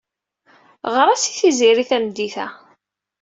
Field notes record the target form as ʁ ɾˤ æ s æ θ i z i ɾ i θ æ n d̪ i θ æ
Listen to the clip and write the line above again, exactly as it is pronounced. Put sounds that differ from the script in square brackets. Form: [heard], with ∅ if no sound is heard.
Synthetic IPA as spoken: ʁ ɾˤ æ s [i] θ i z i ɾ i θ æ [m] d̪ i θ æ